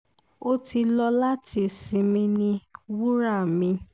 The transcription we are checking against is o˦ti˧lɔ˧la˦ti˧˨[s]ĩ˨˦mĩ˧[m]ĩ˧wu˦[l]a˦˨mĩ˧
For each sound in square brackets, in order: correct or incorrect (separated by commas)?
correct, incorrect, incorrect